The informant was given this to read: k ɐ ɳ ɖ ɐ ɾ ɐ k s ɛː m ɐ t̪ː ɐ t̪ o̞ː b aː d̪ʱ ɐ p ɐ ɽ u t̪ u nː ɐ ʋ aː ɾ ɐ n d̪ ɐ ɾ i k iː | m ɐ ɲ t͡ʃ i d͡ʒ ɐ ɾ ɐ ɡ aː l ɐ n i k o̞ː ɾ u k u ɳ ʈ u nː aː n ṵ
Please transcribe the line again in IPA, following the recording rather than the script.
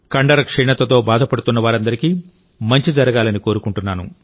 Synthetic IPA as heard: k ɐ ɳ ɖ ɐ ɾ ɐ k ʂ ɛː ɳ ɐ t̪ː ɐ t̪ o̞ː b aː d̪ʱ ɐ p ɐ ɽ u t̪ u nː ɐ ʋ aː ɾ ɐ n d̪ ɐ ɾ i k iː | m ɐ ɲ t͡ʃ i d͡ʒ ɐ ɾ ɐ ɡ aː l ɐ n i k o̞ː ɾ u k u ɳ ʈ u nː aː n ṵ